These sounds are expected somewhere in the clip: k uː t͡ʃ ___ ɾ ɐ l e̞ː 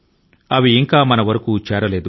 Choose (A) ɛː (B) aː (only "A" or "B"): A